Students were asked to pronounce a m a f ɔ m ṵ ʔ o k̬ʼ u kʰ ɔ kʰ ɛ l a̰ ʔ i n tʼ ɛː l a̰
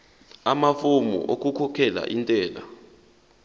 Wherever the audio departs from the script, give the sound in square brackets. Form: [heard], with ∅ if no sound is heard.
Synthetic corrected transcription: a m a f [u] m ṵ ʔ o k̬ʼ u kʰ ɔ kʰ ɛ l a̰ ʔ i n tʼ ɛː l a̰